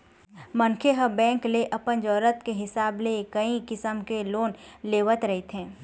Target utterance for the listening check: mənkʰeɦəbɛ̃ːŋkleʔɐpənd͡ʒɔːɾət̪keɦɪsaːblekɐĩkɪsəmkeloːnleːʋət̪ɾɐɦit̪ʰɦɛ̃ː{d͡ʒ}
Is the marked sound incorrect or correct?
incorrect